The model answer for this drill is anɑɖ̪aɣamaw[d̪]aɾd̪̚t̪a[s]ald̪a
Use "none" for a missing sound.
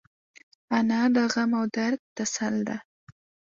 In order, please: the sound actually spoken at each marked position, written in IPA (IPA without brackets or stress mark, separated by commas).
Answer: d̪, s